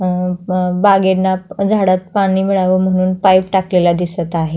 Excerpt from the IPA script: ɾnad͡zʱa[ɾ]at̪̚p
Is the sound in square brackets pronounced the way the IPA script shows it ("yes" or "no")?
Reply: no